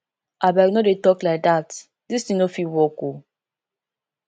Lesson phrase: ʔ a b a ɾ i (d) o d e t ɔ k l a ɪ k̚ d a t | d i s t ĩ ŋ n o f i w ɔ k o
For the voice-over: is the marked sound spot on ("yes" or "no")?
no